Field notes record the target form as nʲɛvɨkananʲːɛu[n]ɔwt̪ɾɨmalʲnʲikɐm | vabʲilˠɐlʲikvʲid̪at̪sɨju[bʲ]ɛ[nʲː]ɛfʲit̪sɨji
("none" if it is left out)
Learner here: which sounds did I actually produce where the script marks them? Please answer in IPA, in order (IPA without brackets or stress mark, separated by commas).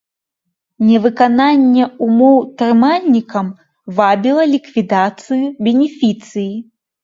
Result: m, bʲ, nʲ